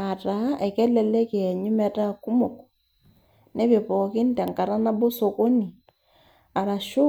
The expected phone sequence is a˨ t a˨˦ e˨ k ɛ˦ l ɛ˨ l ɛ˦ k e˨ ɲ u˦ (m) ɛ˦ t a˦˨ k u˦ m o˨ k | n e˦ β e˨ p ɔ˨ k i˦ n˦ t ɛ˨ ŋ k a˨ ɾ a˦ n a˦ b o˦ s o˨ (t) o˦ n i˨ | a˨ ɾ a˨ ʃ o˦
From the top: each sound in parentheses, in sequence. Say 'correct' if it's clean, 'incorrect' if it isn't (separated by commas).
correct, incorrect